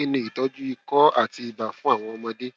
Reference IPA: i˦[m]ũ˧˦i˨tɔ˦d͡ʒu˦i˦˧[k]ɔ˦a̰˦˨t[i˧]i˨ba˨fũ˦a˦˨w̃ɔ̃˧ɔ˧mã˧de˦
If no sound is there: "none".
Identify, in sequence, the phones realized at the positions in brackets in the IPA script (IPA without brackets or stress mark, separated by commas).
n, k, i˧